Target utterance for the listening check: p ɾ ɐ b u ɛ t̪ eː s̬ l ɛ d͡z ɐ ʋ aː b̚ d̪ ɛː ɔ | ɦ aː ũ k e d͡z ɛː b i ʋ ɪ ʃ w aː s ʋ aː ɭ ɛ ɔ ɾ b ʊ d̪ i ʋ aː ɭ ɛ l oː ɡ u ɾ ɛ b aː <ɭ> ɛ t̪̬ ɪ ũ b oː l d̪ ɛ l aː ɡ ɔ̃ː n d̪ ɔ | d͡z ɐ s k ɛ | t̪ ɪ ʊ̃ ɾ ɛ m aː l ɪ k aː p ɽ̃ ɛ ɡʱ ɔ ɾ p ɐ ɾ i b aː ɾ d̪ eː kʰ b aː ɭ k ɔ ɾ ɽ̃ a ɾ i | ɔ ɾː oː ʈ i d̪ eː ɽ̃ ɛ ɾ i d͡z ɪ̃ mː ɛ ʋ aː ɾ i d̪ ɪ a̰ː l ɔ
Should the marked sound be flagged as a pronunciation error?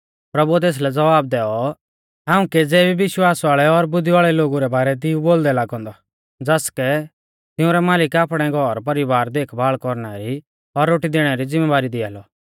yes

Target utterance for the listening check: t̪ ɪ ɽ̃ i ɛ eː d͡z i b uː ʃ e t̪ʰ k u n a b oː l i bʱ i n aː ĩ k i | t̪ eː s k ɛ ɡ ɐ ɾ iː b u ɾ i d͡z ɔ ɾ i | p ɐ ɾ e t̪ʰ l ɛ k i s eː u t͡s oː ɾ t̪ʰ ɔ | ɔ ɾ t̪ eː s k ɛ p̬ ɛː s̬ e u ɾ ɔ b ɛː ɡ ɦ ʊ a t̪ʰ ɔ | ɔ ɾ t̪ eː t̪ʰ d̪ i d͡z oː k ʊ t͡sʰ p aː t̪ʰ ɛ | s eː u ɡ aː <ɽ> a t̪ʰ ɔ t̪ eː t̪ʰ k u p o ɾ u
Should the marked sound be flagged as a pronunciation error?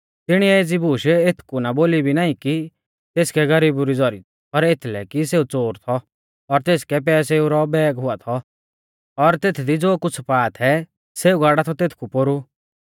no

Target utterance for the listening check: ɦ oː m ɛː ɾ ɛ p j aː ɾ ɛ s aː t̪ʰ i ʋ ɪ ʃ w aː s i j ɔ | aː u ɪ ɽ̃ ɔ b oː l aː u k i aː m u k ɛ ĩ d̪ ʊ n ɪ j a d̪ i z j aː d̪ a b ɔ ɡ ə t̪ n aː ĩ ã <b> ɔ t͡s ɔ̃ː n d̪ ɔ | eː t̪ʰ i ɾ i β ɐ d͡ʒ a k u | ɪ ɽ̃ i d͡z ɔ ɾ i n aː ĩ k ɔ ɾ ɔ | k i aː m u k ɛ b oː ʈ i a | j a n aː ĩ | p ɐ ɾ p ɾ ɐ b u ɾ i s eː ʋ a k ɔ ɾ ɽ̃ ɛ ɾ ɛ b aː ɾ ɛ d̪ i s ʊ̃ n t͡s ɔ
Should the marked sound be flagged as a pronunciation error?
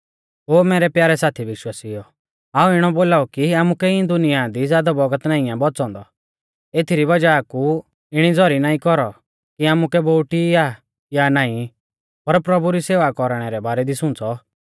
no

